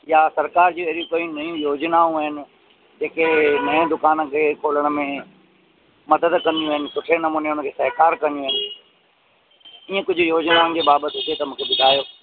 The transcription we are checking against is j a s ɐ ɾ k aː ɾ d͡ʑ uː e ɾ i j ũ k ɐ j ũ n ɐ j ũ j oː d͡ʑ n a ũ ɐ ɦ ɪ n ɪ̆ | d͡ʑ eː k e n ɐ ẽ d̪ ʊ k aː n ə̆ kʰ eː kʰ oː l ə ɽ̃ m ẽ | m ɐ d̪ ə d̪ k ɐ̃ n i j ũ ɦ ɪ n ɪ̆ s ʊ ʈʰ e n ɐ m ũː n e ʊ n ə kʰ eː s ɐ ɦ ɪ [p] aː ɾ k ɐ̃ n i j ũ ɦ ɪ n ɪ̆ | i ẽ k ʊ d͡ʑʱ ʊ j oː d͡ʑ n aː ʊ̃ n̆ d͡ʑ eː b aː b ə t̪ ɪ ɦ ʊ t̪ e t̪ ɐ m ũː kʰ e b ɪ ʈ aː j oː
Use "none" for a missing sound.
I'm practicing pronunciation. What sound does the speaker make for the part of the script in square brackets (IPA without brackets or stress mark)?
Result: k